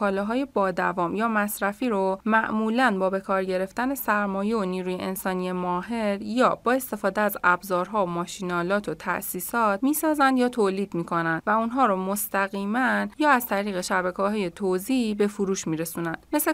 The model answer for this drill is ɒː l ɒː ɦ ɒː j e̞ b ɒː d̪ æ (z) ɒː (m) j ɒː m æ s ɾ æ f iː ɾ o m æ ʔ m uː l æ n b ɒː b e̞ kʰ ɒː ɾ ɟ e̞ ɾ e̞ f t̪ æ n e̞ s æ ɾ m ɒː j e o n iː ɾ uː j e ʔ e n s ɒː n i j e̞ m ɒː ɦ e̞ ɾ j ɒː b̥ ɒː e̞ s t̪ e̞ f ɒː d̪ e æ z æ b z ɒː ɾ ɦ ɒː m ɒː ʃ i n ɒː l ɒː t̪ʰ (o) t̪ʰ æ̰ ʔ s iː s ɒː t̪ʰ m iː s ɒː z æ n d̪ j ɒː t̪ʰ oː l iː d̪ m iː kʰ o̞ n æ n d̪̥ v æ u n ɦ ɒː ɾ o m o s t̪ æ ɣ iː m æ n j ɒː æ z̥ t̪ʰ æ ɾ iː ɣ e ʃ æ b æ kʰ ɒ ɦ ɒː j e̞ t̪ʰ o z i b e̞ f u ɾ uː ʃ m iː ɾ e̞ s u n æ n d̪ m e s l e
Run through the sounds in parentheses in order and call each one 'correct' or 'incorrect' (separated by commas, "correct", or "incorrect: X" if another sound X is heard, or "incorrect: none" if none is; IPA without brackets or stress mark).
incorrect: v, correct, correct